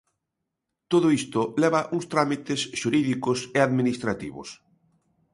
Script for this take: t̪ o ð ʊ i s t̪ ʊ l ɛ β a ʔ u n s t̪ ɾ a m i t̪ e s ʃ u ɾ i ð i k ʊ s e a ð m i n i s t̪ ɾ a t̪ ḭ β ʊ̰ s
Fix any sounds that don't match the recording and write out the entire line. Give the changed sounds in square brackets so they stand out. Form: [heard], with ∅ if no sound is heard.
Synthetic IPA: t̪ o ð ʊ i s t̪ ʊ l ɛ β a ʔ u [ŋ] s t̪ ɾ a m i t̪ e s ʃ u ɾ i ð i k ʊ s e a ð m i n i s t̪ ɾ a t̪ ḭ β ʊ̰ s